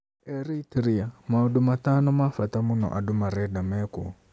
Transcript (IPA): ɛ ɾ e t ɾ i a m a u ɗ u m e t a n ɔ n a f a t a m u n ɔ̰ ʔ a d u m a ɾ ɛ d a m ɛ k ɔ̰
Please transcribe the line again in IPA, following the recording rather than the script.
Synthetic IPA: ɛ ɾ i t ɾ i a m a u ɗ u m a t a n ɔ m a f a t a m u n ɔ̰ ʔ a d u m a ɾ ɛ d a m ɛ k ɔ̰